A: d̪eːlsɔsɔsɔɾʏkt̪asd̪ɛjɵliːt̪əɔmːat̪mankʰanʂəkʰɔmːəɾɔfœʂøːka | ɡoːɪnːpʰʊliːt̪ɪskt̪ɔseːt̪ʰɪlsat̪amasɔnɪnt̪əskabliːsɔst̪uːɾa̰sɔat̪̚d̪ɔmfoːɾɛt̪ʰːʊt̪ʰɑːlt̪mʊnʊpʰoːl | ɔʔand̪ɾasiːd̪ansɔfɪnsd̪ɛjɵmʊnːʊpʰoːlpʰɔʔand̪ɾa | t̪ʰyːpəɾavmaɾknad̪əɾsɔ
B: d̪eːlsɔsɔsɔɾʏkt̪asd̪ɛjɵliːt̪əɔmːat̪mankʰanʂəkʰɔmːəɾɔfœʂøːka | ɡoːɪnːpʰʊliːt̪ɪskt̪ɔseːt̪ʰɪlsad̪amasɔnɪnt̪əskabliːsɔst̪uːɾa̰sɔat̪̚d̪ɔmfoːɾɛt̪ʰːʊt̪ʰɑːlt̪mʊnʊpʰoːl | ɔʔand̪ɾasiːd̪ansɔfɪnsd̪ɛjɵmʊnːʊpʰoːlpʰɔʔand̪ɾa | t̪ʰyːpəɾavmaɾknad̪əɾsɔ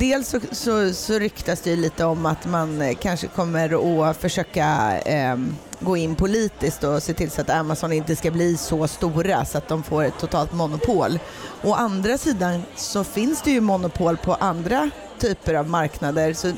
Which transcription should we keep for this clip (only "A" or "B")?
A